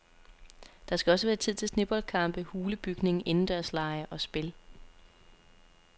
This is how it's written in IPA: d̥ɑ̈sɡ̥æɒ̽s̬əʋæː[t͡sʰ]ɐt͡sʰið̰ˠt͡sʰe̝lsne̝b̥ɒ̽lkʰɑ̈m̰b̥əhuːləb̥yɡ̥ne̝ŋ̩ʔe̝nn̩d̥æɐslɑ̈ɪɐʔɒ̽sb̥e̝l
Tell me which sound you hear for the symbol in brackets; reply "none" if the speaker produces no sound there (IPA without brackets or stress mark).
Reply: none